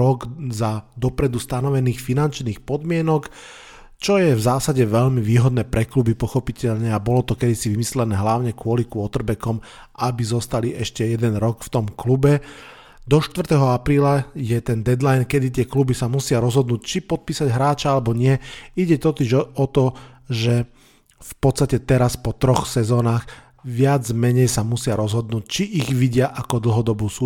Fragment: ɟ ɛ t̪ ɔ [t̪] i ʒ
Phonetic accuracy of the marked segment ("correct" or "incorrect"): correct